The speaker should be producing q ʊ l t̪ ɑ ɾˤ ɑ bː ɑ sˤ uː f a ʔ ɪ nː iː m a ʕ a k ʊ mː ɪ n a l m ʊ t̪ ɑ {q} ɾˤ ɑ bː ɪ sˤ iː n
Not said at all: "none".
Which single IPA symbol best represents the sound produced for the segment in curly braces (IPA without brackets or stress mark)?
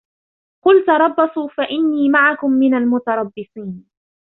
none